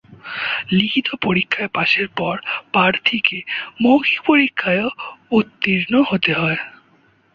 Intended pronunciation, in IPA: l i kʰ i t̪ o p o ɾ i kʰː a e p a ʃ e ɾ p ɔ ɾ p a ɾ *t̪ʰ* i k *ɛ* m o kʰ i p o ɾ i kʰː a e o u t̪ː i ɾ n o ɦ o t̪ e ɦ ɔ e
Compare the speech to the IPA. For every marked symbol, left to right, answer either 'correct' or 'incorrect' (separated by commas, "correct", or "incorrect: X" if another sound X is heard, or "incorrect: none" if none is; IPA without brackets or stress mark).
correct, incorrect: e